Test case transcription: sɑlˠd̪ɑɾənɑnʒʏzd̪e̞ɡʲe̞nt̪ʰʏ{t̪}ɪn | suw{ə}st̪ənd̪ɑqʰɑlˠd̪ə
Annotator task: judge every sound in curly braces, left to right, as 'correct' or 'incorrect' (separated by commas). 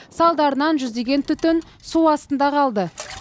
correct, incorrect